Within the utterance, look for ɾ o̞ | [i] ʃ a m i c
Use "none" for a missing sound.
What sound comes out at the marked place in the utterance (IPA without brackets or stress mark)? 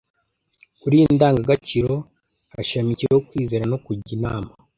a